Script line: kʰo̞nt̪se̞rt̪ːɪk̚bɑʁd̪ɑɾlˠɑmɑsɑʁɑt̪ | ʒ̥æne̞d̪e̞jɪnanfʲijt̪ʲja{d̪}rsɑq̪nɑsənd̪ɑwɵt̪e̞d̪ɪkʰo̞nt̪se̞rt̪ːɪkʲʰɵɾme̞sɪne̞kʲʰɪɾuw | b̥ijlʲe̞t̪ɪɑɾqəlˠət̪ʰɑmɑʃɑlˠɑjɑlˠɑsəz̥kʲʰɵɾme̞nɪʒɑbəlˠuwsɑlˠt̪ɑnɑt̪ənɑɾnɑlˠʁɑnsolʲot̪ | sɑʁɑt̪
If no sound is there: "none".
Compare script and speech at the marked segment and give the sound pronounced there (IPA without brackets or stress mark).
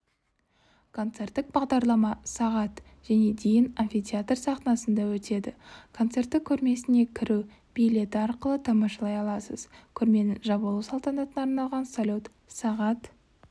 t̪